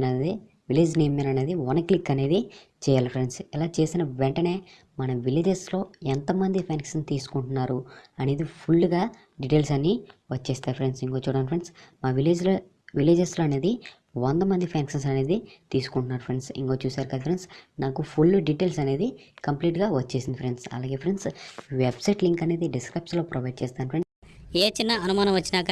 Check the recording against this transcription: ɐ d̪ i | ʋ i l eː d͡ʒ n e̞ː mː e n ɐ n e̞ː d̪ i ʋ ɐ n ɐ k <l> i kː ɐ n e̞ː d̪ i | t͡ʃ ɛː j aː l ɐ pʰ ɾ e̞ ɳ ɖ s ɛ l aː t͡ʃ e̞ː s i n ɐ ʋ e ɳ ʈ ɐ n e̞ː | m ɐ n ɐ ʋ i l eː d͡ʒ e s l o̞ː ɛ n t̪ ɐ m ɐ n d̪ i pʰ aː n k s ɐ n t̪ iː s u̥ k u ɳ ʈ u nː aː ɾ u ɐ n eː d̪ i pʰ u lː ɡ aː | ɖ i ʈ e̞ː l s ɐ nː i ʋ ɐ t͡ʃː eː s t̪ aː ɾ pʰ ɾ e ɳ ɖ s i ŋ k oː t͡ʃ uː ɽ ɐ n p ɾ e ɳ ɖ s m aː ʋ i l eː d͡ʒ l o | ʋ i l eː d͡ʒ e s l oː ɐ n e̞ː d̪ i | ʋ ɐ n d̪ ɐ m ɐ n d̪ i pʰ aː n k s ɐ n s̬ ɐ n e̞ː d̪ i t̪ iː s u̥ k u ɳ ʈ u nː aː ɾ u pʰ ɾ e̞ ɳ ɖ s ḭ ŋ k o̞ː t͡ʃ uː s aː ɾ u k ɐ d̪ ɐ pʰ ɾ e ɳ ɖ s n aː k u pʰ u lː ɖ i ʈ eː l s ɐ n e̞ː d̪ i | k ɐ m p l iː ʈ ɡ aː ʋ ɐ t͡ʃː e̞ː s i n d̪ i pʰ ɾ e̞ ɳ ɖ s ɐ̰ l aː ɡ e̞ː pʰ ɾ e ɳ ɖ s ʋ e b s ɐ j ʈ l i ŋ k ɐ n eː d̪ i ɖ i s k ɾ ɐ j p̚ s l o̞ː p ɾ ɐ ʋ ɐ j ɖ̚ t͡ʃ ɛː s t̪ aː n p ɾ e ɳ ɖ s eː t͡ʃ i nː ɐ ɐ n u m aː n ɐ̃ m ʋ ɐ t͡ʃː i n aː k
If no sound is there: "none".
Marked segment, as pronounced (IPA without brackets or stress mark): l